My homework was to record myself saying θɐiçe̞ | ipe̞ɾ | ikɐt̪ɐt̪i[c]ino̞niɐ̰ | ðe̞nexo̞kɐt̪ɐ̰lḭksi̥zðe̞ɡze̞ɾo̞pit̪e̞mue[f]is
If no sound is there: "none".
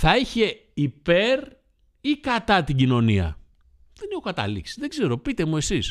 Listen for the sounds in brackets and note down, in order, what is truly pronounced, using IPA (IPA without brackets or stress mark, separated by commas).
ɟ, s